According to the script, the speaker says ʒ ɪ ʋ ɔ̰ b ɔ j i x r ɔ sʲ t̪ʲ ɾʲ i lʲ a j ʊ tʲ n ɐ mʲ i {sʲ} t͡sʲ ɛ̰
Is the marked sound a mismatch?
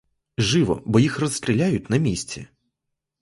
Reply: no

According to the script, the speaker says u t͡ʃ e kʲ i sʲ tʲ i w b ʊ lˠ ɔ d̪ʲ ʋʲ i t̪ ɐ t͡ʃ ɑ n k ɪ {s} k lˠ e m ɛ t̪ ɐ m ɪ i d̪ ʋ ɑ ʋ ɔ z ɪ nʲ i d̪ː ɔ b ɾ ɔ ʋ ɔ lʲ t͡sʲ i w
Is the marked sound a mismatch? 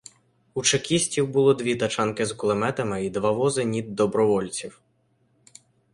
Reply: yes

